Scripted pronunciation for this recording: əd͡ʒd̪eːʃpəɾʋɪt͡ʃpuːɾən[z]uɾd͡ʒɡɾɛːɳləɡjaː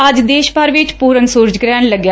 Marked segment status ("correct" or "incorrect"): incorrect